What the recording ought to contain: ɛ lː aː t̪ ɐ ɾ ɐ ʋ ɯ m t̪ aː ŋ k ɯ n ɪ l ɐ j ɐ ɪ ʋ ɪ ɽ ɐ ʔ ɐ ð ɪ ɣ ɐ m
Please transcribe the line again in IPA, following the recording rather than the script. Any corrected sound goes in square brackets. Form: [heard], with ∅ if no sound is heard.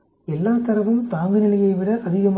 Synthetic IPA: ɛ lː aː t̪ ɐ ɾ ɐ ʋ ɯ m t̪ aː ŋ [ɡ] ɯ n ɪ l ɐ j ɐ ɪ ʋ ɪ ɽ ɐ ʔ ɐ ð ɪ ɣ ɐ m

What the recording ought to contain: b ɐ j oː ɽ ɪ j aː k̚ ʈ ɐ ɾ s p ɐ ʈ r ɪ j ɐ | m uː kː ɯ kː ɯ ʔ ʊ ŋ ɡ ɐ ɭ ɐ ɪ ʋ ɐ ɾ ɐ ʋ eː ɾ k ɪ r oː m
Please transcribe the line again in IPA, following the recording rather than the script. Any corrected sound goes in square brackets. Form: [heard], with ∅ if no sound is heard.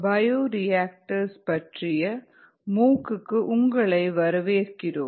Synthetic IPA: b ɐ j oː [ɾ] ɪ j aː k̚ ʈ ɐ ɾ s p ɐ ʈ r ɪ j ɐ | m uː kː ɯ kː ɯ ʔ ʊ ŋ ɡ ɐ ɭ ɐ ɪ ʋ ɐ ɾ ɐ ʋ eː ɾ k ɪ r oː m

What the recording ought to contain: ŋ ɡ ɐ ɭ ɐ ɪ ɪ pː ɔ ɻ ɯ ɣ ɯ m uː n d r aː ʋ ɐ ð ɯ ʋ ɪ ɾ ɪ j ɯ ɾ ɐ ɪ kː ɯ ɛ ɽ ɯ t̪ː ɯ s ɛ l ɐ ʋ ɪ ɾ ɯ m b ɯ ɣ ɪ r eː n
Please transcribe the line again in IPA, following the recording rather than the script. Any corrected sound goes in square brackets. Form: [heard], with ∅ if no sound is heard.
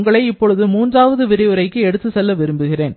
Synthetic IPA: ŋ ɡ ɐ ɭ ɐ ɪ ɪ pː ɔ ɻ ɯ [ð] ɯ m uː n d r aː ʋ ɐ ð ɯ ʋ ɪ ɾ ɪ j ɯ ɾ ɐ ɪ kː ɯ ɛ ɽ ɯ t̪ː ɯ s ɛ [lː] ɐ ʋ ɪ ɾ ɯ m b ɯ ɣ ɪ r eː n

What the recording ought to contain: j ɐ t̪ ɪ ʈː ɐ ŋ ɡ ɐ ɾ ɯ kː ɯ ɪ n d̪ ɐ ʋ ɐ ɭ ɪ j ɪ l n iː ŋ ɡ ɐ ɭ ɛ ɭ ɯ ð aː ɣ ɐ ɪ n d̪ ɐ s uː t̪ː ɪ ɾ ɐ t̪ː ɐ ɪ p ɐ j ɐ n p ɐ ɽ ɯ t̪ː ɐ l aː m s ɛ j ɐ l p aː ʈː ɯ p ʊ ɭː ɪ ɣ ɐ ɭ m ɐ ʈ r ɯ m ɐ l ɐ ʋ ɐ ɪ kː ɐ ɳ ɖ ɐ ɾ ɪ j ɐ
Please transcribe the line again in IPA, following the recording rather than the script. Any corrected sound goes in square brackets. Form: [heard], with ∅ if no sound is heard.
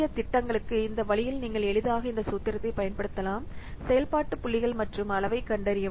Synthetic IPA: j ɐ t̪ ɪ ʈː ɐ ŋ ɡ ɐ [ɭ] ɯ kː ɯ ɪ n d̪ ɐ ʋ ɐ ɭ ɪ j ɪ l n iː ŋ ɡ ɐ ɭ ɛ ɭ ɯ ð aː ɣ ɐ ɪ n d̪ ɐ s uː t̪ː ɪ ɾ ɐ t̪ː ɐ ɪ p ɐ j ɐ n p ɐ ɽ ɯ t̪ː ɐ l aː m s ɛ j ɐ l p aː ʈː ɯ p ʊ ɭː ɪ ɣ ɐ ɭ m ɐ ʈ r ɯ m ɐ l ɐ ʋ ɐ ɪ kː ɐ ɳ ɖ ɐ ɾ ɪ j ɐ

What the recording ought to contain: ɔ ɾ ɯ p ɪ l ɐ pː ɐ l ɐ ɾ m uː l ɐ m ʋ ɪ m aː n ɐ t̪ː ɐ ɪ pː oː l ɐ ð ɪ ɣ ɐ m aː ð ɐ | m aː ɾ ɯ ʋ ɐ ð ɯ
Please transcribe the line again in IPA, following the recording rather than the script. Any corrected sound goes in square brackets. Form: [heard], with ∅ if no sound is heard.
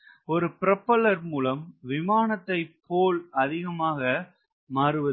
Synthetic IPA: ɔ ɾ ɯ p ɪ [ɾ] ɐ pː ɐ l ɐ ɾ m uː l ɐ m ʋ ɪ m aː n ɐ t̪ː ɐ ɪ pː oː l ɐ ð ɪ ɣ ɐ m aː [ɣ] ɐ | m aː ɾ ɯ ʋ ɐ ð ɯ

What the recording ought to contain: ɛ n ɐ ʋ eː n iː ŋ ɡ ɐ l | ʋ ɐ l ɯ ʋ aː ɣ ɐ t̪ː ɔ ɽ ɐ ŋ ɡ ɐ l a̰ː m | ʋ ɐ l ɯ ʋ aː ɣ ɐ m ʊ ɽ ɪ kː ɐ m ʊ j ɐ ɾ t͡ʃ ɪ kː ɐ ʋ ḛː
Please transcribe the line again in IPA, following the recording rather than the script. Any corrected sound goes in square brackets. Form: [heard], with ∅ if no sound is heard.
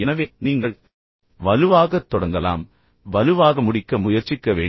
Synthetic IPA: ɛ n ɐ ʋ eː n iː ŋ ɡ ɐ [ɭ] | ʋ ɐ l ɯ ʋ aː ɣ ɐ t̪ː ɔ ɽ ɐ ŋ ɡ ɐ l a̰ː m | ʋ ɐ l ɯ ʋ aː ɣ ɐ m ʊ ɽ ɪ kː ɐ m ʊ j ɐ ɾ t͡ʃ ɪ kː ɐ ʋ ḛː

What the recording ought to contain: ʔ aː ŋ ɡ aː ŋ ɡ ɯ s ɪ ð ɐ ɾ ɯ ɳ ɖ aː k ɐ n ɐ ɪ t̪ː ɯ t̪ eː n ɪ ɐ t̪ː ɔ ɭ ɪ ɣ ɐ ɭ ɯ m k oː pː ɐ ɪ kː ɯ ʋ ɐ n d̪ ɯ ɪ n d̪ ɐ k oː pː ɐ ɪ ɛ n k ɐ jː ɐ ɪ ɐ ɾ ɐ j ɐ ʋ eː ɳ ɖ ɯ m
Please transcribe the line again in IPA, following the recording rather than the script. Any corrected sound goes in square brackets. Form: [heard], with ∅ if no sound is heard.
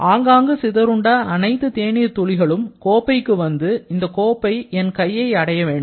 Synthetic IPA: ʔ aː ŋ ɡ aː ŋ ɡ ɯ s ɪ ð ɐ ɾ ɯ ɳ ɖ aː [∅] ɐ n ɐ ɪ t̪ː ɯ t̪ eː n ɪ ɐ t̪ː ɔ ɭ ɪ ɣ ɐ ɭ ɯ m k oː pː ɐ ɪ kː ɯ ʋ ɐ n d̪ ɯ ɪ n d̪ ɐ k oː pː ɐ ɪ ɛ n k ɐ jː ɐ ɪ ɐ [ɽ] ɐ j ɐ ʋ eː ɳ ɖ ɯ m

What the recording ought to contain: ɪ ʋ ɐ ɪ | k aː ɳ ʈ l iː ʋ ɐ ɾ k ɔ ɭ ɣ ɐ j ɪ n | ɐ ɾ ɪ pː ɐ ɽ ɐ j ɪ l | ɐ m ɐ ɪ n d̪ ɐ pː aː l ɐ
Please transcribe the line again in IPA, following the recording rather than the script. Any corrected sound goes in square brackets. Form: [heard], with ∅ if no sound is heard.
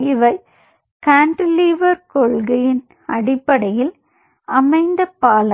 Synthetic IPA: ɪ ʋ ɐ ɪ | k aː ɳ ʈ l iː ʋ ɐ ɾ k ɔ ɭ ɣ ɐ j ɪ n | ɐ [ɽ] ɪ pː ɐ ɽ ɐ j ɪ l | ɐ m ɐ ɪ n d̪ ɐ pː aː l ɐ

